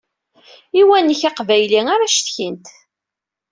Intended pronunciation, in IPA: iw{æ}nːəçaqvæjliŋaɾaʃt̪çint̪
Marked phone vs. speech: correct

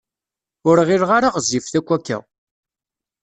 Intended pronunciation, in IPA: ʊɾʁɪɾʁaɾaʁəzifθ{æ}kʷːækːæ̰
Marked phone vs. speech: correct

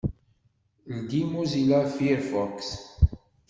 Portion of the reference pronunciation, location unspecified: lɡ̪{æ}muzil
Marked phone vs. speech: incorrect: i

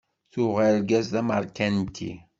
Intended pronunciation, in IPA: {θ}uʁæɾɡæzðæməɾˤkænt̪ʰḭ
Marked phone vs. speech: correct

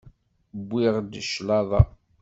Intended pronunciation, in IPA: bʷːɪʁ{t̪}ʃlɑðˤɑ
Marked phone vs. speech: incorrect: d̪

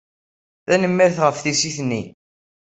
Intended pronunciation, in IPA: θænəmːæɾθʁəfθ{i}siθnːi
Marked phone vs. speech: correct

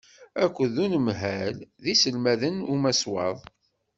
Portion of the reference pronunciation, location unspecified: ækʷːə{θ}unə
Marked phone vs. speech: incorrect: ð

